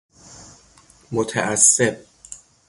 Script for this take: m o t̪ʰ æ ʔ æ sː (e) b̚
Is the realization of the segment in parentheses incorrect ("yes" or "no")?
no